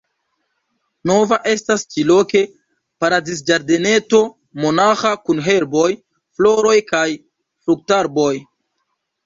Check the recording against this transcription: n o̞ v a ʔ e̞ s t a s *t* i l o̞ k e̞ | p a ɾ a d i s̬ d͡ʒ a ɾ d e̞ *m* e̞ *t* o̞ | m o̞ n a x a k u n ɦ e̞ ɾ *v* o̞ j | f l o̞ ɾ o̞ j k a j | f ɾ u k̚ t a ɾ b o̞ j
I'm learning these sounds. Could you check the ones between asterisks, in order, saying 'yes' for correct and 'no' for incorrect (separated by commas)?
no, no, yes, no